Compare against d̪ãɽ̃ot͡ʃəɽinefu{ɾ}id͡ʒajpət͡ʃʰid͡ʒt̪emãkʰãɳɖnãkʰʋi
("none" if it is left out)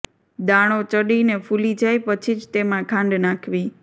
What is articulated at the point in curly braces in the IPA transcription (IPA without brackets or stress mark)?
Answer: l